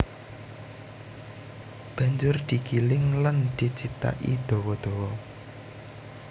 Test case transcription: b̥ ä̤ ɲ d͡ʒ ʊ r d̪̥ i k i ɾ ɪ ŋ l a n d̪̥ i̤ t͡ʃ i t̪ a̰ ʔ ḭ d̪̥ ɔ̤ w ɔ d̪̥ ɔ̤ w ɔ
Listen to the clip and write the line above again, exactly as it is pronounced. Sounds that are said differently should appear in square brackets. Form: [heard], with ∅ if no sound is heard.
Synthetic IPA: b̥ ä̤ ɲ d͡ʒ ʊ r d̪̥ i k i [l] ɪ ŋ l a n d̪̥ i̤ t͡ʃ i t̪ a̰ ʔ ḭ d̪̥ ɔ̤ w ɔ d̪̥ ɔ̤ w ɔ